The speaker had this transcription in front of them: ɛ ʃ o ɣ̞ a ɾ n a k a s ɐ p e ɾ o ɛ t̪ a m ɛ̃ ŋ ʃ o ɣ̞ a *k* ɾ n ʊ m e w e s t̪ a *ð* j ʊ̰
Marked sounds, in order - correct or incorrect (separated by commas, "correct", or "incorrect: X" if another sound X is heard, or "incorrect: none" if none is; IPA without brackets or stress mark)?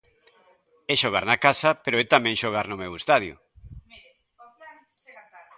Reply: incorrect: none, correct